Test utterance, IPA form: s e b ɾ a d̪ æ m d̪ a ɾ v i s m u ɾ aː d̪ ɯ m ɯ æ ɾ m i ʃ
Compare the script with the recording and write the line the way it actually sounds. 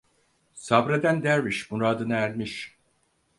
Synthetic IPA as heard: s a b ɾ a d̪ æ n d̪ æ ɾ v i ʃ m u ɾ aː d̪ ɯ n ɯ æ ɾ m i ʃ